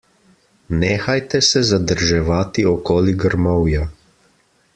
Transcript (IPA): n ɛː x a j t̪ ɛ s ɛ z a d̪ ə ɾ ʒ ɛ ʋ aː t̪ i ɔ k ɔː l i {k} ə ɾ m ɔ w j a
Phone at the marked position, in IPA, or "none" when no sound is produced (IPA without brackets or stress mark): ɡ